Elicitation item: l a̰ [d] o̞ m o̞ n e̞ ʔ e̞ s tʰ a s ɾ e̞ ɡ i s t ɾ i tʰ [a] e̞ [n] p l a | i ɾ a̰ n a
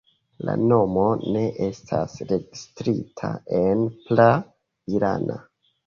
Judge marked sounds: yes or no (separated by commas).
no, yes, yes